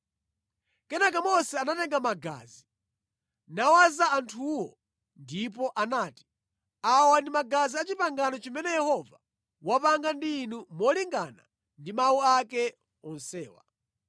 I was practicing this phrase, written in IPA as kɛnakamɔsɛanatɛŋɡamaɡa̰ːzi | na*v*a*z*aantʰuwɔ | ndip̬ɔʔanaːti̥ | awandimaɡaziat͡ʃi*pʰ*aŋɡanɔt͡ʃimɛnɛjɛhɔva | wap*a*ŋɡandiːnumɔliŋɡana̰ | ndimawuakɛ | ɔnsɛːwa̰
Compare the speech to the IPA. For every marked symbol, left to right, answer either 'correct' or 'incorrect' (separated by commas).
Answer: incorrect, correct, incorrect, correct